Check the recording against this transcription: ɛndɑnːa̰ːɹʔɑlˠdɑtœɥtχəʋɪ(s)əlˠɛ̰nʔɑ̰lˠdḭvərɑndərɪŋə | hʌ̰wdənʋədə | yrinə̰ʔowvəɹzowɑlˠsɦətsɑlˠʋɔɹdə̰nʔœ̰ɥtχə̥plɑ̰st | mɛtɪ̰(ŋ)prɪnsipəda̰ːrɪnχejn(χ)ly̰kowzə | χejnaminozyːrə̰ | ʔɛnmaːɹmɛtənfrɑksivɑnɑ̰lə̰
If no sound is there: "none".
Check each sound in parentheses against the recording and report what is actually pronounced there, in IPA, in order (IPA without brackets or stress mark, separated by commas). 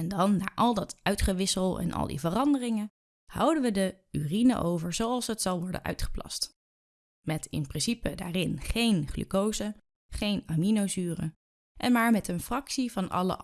s, n, χ